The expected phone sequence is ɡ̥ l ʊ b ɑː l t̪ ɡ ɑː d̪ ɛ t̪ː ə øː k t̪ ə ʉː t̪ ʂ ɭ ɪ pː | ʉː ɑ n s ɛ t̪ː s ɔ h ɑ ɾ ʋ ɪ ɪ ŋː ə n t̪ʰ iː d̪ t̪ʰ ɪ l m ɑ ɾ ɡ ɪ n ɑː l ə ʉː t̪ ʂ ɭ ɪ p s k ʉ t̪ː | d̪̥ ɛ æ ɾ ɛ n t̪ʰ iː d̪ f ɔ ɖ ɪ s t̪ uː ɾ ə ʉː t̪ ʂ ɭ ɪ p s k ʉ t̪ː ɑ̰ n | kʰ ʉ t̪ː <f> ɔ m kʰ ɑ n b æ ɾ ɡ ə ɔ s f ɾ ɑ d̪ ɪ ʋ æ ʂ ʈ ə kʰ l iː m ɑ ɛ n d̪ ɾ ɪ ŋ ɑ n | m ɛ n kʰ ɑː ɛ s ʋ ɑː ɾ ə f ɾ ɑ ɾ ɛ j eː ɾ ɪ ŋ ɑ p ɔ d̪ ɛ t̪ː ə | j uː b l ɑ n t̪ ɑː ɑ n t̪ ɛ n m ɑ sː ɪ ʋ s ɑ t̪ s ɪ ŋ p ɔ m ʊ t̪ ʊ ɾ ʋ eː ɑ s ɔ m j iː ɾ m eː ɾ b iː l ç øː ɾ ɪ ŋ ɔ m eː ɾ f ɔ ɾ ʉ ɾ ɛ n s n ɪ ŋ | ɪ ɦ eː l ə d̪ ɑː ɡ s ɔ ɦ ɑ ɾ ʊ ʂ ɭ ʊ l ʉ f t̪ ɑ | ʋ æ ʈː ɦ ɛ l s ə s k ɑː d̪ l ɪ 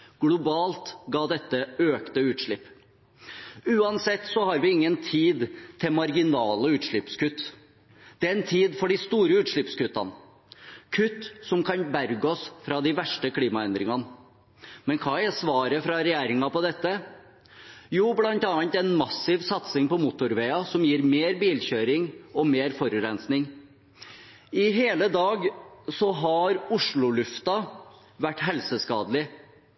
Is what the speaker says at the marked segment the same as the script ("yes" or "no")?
no